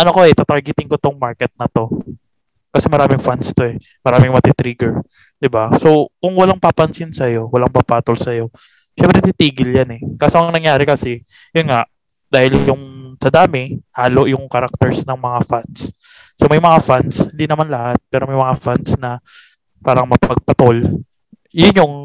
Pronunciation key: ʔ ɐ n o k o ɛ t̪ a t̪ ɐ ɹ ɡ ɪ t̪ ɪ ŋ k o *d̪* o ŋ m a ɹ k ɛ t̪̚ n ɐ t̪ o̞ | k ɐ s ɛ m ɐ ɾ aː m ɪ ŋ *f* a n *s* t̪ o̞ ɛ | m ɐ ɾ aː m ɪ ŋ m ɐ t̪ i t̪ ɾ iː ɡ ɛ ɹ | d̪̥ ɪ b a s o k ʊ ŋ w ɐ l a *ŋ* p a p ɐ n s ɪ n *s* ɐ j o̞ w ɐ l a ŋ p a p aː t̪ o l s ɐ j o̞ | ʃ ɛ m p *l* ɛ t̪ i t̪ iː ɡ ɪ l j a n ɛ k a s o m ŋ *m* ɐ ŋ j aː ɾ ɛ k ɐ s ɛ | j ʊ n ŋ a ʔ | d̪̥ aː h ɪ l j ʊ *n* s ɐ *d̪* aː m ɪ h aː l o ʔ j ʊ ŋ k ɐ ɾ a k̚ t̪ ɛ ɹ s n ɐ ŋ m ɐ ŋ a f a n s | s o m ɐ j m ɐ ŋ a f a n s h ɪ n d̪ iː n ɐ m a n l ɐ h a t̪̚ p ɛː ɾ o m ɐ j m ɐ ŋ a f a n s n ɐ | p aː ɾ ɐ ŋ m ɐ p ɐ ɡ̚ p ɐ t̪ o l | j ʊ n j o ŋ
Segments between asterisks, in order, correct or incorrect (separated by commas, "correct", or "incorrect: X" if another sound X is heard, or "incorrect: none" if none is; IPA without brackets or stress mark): incorrect: t̪, correct, correct, correct, correct, incorrect: ɾ, incorrect: n, incorrect: ŋ, correct